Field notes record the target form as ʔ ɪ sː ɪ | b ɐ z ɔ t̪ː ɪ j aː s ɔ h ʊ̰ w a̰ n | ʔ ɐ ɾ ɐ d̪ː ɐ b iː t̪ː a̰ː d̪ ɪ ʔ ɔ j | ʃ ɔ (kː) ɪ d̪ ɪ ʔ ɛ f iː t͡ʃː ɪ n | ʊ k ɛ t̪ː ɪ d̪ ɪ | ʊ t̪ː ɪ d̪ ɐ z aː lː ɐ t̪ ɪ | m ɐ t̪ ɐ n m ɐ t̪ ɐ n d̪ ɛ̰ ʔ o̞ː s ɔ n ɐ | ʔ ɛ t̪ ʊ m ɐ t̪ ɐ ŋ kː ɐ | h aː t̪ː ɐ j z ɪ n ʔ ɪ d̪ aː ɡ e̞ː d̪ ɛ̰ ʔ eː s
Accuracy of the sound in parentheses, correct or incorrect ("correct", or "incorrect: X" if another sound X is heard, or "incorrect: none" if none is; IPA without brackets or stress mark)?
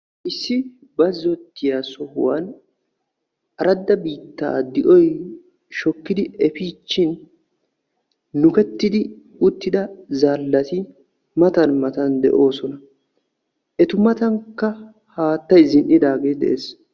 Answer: correct